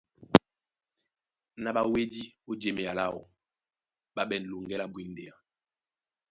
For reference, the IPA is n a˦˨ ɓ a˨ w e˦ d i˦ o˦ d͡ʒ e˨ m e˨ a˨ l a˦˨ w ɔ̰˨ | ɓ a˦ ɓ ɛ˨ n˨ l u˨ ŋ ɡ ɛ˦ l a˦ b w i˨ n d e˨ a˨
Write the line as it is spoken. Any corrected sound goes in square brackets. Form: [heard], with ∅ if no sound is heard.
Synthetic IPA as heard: n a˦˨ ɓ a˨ w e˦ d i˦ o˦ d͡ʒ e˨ m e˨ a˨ l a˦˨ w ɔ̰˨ | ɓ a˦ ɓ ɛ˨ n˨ l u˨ ŋ ɡ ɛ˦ l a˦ b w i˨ n d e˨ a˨